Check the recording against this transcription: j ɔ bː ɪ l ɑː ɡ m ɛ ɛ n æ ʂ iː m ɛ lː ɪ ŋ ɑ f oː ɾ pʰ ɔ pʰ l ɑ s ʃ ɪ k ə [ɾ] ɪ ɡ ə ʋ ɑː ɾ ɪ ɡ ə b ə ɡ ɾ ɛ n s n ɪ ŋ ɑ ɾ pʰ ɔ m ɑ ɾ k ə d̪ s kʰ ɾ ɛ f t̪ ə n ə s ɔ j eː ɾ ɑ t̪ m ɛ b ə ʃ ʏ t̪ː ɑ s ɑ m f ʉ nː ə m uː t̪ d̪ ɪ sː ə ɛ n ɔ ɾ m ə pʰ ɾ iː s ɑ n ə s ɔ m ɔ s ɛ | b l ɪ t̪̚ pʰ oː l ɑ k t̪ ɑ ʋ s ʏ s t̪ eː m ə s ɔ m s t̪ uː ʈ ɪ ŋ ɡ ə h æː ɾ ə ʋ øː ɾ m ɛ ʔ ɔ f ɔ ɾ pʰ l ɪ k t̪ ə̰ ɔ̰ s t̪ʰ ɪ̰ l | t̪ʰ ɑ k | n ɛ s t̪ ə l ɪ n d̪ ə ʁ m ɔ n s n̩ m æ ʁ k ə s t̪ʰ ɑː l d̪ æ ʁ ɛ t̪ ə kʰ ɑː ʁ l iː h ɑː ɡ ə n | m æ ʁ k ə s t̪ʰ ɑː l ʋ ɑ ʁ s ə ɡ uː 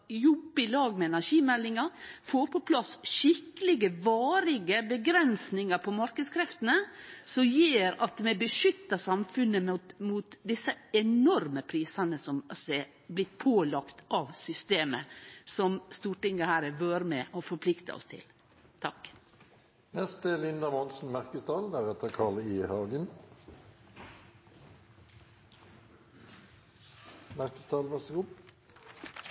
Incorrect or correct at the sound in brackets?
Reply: incorrect: l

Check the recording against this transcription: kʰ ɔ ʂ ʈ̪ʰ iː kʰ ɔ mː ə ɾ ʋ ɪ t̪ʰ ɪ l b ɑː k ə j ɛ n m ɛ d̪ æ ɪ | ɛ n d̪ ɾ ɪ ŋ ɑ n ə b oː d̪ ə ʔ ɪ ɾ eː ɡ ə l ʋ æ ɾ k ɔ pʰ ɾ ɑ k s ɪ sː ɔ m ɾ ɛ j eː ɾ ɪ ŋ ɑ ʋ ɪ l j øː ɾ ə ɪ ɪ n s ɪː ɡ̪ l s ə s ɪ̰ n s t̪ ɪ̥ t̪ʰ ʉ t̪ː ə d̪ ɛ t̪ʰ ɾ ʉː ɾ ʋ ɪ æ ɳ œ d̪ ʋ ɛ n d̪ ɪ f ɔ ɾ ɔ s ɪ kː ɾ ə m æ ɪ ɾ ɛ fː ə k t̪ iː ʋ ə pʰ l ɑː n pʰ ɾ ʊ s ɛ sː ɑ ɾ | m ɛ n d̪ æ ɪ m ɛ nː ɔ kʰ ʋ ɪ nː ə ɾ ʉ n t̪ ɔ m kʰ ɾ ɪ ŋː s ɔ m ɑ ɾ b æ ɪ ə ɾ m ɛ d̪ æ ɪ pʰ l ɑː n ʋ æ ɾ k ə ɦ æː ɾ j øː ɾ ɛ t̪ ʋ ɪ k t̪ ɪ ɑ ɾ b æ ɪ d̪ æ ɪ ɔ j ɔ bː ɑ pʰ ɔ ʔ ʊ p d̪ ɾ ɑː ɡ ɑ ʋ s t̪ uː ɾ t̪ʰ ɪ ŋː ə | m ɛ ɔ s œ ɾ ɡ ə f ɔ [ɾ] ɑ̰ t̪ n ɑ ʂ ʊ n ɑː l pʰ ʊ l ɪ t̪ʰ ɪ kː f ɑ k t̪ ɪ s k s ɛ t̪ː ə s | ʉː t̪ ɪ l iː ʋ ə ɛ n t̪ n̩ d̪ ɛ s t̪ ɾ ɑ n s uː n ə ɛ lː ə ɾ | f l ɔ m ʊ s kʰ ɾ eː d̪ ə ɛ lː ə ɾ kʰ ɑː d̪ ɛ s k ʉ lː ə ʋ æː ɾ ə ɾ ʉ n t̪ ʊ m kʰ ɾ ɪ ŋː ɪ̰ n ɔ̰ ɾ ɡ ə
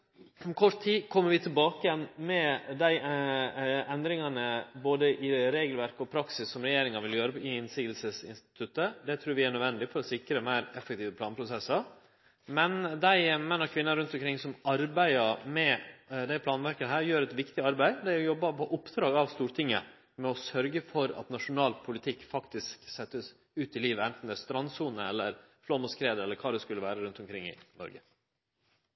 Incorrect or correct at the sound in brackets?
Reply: correct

